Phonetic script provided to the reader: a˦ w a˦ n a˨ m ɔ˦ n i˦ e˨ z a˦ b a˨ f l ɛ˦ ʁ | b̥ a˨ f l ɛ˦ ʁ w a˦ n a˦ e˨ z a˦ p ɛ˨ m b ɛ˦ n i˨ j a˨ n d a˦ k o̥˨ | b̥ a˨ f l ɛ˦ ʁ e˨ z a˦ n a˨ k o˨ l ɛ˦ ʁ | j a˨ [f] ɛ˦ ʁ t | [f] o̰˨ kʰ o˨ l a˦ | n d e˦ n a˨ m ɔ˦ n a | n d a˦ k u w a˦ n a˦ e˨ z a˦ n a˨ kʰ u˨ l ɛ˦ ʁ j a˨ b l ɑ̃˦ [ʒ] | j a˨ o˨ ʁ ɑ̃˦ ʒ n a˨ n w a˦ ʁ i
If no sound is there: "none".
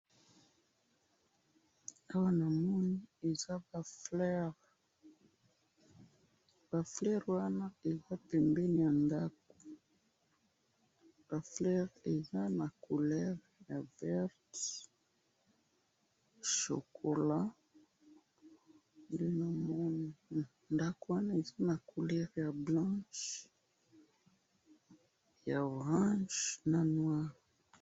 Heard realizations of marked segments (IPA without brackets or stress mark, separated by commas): v, ʃ, ʃ